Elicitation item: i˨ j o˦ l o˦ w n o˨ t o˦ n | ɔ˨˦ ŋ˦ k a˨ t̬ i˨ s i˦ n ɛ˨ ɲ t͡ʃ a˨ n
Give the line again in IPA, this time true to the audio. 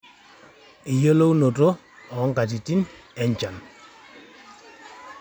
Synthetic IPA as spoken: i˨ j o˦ l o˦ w n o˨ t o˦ | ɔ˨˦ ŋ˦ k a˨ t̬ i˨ t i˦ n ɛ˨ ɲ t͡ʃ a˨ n